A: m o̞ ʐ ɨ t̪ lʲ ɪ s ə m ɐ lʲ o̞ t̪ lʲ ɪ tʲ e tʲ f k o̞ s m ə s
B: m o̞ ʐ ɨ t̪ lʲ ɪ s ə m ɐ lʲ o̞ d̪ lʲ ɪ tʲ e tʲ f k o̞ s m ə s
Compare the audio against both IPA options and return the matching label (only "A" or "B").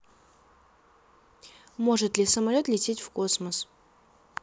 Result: A